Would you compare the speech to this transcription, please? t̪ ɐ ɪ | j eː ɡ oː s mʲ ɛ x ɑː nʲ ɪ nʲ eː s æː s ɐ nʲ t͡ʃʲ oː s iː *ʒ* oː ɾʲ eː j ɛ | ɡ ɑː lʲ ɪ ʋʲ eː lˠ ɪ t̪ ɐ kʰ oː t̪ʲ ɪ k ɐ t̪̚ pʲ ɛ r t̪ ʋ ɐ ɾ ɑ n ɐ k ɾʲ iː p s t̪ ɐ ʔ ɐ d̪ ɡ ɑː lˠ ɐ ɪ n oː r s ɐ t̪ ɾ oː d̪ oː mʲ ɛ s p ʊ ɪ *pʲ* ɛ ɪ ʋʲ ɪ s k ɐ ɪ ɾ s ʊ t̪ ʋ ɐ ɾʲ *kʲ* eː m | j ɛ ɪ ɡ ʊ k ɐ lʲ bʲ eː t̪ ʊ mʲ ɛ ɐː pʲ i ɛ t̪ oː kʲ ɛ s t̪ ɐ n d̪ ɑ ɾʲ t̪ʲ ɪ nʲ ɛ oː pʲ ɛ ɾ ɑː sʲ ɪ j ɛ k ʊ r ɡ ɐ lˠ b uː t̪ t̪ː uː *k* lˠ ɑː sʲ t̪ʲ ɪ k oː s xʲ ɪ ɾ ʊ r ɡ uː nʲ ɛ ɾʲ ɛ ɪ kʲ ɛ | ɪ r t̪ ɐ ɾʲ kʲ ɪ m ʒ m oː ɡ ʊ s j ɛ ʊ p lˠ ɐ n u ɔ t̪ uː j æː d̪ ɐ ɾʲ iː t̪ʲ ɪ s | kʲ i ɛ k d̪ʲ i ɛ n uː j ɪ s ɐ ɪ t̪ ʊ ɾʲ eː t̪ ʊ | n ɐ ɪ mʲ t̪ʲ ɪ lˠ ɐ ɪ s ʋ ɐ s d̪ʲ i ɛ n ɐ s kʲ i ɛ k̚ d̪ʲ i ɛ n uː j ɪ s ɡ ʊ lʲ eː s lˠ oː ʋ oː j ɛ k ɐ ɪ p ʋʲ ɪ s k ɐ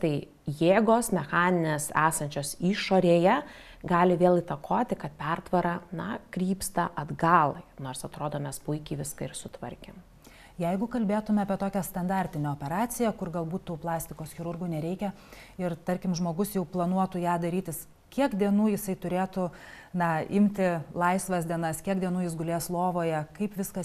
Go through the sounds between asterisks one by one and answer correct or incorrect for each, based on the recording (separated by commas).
incorrect, incorrect, correct, incorrect